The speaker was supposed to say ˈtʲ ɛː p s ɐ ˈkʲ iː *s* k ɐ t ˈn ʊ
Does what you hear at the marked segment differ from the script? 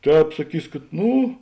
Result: no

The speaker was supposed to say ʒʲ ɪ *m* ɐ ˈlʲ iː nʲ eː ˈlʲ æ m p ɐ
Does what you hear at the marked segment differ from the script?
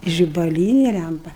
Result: yes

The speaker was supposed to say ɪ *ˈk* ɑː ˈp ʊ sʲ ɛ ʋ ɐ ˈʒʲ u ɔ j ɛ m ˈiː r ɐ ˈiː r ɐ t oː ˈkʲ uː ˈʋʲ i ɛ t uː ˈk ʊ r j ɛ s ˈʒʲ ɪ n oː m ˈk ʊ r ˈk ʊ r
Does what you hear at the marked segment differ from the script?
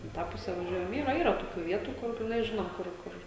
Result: yes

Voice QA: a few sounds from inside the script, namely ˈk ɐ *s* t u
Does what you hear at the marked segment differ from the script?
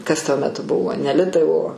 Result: no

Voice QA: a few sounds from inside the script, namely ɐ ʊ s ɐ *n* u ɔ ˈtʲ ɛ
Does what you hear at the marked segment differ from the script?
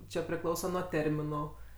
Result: no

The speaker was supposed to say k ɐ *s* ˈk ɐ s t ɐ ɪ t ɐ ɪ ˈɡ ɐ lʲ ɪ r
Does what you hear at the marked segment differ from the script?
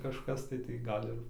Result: yes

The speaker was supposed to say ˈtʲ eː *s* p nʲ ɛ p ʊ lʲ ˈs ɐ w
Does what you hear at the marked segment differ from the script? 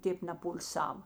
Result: yes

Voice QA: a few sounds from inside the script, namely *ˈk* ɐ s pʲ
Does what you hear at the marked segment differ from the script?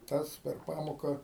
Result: yes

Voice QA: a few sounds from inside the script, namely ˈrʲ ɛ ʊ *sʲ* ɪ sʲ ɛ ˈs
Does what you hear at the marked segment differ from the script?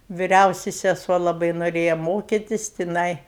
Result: no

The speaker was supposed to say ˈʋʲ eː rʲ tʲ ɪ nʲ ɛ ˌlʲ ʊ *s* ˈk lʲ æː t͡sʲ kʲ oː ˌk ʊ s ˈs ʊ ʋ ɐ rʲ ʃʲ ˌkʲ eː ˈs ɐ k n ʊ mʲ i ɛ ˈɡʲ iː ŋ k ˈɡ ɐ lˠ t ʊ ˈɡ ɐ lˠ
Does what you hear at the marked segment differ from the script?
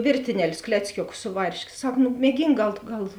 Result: no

